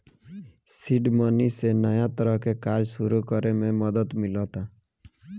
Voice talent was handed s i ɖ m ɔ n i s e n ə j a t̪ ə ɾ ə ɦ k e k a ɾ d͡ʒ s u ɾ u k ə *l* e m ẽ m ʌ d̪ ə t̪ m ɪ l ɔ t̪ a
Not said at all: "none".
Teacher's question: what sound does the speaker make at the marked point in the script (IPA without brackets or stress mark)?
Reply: ɾ